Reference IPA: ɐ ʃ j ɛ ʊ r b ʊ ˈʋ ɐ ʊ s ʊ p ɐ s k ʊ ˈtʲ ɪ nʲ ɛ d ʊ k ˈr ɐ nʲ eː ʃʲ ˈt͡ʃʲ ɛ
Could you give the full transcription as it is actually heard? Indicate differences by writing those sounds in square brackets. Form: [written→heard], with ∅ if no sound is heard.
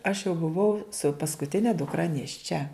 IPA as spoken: ɐ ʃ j ɛ ʊ [r→∅] b ʊ ˈʋ ɐ ʊ s ʊ p ɐ s k ʊ ˈtʲ ɪ nʲ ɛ d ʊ k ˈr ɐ nʲ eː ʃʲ ˈt͡ʃʲ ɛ